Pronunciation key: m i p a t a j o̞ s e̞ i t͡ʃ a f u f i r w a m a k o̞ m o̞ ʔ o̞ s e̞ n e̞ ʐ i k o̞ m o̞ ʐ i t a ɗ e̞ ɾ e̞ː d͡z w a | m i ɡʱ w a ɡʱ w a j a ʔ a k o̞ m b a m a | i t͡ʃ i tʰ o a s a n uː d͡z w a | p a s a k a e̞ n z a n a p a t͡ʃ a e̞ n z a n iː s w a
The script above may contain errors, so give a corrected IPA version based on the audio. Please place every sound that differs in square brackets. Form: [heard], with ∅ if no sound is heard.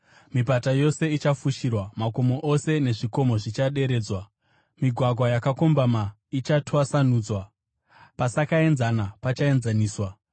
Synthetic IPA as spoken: m i p a t a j o̞ s e̞ i t͡ʃ a f u [ʃ] i r w a m a k o̞ m o̞ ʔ o̞ s e̞ n e̞ ʐ i k o̞ m o̞ ʐ i [t͡ʃ] a ɗ e̞ ɾ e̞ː d͡z w a | m i ɡʱ w a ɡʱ w a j a [k] a k o̞ m b a m a | i t͡ʃ [a] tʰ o a s a n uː d͡z w a | p a s a k a e̞ n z a n a p a t͡ʃ a e̞ n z a n iː s w a